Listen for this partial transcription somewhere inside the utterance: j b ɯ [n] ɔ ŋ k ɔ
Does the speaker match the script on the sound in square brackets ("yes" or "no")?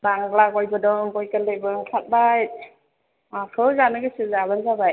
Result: no